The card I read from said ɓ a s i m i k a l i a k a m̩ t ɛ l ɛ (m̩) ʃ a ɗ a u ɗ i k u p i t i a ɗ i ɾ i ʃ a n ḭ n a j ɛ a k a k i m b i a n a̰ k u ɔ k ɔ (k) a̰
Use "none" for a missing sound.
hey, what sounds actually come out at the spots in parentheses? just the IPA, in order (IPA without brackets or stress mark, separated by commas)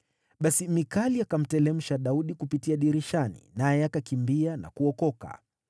m̩, k